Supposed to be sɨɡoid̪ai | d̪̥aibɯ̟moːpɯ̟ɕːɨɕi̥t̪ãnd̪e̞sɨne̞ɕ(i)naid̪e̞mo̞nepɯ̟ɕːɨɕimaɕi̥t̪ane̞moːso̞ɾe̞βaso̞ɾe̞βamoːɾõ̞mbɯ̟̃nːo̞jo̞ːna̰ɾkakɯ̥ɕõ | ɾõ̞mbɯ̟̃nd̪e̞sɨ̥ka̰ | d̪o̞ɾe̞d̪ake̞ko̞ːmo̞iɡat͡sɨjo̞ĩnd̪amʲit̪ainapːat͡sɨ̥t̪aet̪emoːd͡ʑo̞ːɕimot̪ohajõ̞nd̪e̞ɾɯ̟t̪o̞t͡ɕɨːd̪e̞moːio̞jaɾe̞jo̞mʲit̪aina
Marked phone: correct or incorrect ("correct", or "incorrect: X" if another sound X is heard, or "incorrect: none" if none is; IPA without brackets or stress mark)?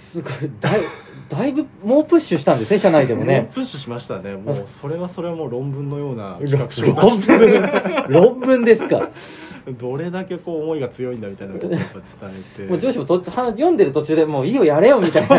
incorrect: a